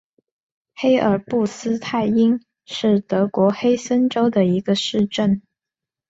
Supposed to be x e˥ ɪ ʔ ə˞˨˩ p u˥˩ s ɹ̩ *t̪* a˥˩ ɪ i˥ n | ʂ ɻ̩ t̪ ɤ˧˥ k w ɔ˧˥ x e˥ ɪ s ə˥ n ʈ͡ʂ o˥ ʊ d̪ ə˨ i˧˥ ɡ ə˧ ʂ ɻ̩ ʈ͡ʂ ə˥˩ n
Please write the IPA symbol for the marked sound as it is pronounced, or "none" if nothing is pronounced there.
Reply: t̪ʰ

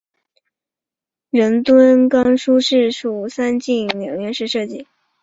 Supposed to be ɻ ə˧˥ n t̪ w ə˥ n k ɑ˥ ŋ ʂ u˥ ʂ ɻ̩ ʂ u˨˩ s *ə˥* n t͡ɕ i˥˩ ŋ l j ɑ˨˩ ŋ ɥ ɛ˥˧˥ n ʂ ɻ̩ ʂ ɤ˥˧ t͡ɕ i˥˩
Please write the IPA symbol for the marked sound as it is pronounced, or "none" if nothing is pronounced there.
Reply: a˥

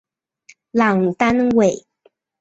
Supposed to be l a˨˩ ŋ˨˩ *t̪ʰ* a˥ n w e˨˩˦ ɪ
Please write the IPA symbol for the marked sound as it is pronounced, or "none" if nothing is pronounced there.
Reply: t̪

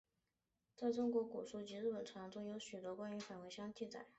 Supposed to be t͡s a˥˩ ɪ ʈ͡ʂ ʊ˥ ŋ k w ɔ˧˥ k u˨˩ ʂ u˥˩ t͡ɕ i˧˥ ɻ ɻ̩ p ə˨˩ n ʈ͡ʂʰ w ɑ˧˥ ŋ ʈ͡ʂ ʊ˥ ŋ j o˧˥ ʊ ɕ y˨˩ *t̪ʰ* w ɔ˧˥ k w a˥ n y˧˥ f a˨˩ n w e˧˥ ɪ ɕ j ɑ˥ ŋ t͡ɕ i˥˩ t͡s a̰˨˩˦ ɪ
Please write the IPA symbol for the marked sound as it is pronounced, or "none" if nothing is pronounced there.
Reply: t̪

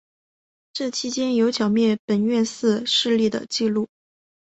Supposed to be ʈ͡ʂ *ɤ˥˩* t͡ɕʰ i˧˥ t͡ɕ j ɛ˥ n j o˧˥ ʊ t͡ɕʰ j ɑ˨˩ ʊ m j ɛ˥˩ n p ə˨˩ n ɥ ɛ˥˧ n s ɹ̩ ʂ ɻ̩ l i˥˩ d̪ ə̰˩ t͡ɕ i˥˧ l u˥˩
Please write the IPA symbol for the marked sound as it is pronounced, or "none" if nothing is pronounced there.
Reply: ɤ˥˩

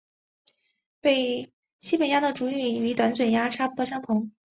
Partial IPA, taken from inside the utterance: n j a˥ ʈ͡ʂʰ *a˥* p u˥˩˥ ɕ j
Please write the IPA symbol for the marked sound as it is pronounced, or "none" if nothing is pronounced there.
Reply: a˥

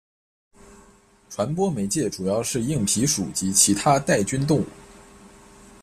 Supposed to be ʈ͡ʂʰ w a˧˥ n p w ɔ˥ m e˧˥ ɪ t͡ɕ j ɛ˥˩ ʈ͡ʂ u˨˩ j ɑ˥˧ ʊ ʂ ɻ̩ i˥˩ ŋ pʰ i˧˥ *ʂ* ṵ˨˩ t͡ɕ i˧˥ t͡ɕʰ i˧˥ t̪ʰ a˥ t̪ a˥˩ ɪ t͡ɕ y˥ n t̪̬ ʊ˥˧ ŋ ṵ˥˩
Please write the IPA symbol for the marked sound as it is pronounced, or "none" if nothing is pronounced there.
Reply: ʂ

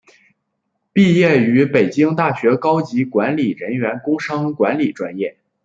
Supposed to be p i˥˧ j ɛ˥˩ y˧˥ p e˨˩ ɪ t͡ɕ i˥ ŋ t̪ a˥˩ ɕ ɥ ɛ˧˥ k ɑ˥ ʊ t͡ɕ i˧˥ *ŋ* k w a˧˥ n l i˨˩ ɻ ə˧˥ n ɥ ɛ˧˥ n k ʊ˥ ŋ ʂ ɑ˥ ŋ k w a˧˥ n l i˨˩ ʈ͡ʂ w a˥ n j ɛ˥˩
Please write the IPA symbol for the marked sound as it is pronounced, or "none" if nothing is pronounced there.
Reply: none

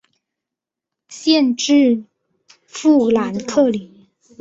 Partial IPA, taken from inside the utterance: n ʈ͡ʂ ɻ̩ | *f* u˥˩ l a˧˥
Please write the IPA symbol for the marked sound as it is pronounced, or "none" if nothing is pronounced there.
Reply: f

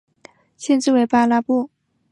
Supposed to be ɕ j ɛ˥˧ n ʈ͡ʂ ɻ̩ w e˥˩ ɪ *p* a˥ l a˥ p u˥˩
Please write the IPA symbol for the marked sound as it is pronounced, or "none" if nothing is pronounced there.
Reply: p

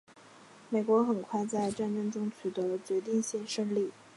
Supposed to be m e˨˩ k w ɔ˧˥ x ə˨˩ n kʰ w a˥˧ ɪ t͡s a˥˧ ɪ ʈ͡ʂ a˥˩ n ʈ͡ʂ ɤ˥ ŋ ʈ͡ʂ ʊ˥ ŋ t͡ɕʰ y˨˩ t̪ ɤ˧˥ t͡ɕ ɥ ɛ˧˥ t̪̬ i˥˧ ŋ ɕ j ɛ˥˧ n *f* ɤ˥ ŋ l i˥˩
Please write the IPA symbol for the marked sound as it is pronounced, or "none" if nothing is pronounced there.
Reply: ʂ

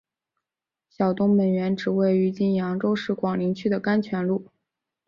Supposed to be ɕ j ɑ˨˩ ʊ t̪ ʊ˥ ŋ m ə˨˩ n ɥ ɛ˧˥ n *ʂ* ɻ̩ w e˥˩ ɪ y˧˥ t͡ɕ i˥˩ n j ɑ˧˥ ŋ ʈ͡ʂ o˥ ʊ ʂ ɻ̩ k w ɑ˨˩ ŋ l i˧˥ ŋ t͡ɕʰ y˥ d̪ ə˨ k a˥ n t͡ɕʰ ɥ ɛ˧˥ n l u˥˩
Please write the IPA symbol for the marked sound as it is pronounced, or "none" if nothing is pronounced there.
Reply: ʈ͡ʂ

